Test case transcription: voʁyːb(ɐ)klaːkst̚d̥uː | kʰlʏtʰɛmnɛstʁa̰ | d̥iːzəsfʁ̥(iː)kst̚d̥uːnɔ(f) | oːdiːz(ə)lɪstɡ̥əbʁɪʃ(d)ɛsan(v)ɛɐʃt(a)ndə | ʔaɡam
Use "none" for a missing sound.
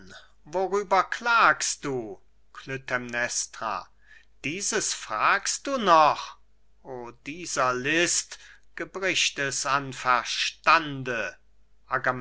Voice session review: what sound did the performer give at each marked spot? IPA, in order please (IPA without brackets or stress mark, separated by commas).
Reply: ɐ, aː, χ, ɐ, t, f, a